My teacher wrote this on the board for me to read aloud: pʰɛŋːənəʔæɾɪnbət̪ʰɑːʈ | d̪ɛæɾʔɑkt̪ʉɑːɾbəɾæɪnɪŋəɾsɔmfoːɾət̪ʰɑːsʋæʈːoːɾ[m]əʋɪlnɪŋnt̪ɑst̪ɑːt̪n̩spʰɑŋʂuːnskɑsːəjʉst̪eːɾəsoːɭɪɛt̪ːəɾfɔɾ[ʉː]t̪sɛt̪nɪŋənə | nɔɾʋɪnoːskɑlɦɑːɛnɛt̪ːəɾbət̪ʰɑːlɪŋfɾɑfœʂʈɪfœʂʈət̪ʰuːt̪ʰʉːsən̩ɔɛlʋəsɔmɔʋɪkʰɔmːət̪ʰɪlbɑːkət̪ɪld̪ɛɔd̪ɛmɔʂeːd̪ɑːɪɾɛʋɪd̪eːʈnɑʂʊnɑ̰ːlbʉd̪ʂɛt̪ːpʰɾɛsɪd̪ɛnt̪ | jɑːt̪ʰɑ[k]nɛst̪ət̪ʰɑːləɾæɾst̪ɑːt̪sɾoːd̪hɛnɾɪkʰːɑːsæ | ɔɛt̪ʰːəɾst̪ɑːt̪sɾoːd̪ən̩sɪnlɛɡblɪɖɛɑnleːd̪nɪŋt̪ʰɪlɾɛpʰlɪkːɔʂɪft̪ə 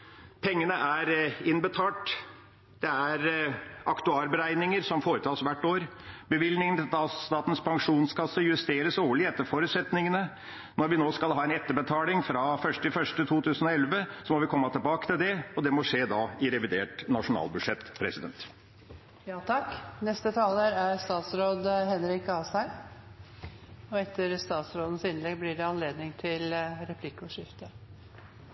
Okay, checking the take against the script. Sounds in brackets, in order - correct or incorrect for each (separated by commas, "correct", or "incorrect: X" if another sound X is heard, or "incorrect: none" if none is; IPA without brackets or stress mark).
incorrect: b, incorrect: ʉ, correct